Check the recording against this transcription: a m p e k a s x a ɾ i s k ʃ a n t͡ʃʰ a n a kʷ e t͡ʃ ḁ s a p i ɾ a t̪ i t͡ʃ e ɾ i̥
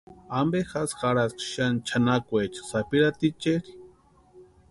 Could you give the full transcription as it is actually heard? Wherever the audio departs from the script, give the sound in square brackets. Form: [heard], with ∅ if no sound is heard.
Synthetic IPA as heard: a m [b] e [x] a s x a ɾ [a] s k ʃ a n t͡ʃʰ a n a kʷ e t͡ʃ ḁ s a p i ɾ a t̪ i t͡ʃ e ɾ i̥